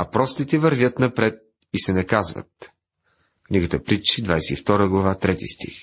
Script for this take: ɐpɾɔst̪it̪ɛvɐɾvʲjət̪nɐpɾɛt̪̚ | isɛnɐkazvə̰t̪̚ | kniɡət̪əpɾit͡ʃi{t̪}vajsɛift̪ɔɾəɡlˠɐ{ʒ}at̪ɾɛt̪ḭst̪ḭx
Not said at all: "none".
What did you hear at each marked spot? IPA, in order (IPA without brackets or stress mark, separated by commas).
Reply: d̪, v